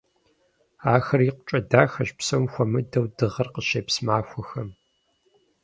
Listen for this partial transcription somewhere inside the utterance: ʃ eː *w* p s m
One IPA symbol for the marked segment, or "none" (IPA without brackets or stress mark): none